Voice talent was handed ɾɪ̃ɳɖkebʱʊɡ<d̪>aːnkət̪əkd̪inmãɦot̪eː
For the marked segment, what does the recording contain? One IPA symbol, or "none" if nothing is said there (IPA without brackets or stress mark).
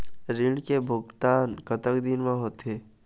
t̪